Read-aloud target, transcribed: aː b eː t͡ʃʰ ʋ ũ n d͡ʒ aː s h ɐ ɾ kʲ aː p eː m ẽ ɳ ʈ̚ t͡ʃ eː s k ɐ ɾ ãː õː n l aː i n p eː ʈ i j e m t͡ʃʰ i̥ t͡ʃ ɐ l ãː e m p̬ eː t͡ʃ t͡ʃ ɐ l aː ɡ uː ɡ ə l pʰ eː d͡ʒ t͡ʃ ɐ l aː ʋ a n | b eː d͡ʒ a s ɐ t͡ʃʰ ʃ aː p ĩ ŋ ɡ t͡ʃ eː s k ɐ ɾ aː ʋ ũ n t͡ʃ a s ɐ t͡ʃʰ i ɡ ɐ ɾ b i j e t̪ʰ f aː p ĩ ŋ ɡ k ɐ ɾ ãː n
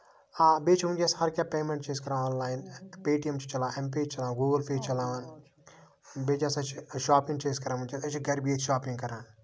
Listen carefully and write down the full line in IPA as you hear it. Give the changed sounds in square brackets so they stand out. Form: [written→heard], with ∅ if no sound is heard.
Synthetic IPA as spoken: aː b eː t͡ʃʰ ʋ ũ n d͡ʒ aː s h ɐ ɾ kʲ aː p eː m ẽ ɳ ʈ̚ t͡ʃ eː s k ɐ ɾ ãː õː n l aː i n p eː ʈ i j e m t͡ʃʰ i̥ t͡ʃ ɐ l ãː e m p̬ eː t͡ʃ t͡ʃ ɐ l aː ɡ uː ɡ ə l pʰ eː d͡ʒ t͡ʃ ɐ l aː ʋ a n | b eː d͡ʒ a s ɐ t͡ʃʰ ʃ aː p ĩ ŋ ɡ t͡ʃ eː s k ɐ ɾ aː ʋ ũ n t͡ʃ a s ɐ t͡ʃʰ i ɡ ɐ ɾ b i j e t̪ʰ [f→ʃ] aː p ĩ ŋ ɡ k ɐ ɾ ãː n